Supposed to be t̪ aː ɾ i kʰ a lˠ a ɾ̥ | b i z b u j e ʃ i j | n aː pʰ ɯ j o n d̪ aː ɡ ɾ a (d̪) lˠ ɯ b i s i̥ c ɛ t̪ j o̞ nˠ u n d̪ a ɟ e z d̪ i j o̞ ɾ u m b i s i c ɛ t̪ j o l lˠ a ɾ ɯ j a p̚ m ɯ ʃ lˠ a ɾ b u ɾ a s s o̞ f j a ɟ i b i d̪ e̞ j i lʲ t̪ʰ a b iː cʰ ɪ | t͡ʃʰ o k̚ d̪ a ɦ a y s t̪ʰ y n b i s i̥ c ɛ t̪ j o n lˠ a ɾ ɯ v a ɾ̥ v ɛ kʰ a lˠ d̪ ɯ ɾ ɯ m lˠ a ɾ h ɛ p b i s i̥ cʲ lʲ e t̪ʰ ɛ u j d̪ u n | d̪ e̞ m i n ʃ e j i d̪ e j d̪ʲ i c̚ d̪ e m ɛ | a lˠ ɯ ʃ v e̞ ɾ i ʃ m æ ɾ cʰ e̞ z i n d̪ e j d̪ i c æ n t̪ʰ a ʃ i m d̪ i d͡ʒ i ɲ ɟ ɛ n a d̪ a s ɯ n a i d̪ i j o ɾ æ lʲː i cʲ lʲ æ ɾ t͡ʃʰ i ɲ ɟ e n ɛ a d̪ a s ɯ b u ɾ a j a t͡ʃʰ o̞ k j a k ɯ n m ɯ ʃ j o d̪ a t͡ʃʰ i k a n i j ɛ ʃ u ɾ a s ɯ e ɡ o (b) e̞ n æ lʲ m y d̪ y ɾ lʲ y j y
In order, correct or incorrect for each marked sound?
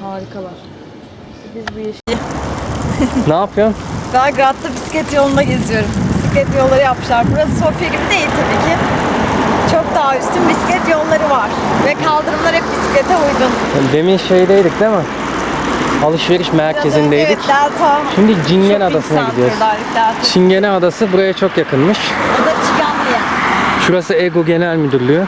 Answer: incorrect: t̪, incorrect: ɟ

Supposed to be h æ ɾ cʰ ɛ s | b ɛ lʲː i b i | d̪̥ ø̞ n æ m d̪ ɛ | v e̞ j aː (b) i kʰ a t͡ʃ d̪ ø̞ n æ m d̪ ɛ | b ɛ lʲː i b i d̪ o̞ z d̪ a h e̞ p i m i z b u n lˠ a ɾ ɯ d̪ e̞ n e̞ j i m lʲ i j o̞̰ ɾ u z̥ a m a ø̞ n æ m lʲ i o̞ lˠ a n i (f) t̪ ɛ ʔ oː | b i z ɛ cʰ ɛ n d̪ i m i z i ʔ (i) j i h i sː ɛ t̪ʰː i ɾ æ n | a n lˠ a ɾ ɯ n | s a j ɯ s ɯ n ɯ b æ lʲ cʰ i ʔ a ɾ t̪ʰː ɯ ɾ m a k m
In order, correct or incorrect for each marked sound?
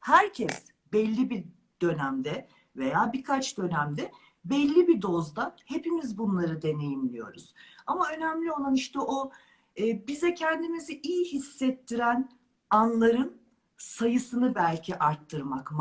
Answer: correct, incorrect: ʃ, correct

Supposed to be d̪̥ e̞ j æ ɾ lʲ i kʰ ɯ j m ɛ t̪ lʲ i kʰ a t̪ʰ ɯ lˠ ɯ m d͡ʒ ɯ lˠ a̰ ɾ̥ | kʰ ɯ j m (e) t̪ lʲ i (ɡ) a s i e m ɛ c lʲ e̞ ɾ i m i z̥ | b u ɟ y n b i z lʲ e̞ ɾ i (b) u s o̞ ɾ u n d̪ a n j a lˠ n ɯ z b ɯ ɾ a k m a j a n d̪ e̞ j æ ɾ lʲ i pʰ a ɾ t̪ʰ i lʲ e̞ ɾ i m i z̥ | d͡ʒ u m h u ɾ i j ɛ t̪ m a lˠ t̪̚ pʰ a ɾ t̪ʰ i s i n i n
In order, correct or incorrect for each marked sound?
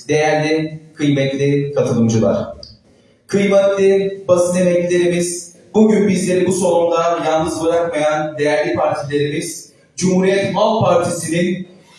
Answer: incorrect: ɛ, incorrect: b, correct

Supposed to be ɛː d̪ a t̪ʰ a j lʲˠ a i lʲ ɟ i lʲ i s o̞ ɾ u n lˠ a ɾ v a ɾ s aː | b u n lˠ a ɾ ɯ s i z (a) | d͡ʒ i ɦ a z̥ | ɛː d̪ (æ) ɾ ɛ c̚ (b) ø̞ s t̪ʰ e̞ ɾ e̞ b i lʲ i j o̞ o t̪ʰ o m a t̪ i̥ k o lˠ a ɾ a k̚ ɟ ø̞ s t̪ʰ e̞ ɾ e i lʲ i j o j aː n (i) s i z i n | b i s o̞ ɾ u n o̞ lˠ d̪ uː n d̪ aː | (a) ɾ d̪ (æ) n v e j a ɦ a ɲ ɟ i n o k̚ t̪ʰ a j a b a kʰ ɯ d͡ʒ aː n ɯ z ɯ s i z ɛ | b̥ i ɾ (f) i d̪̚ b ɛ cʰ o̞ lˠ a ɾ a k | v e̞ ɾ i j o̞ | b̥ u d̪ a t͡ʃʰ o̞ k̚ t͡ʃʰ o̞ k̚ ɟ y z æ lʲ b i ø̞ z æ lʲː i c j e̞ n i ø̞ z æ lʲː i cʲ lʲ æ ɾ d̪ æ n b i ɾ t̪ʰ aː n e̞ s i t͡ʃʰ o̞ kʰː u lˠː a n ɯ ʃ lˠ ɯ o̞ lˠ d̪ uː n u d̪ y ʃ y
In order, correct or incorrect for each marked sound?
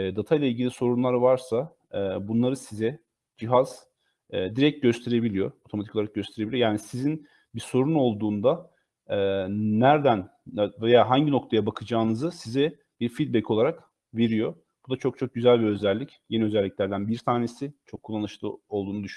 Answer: incorrect: ɛ, incorrect: i, incorrect: ɟ, correct, incorrect: æ, correct, correct

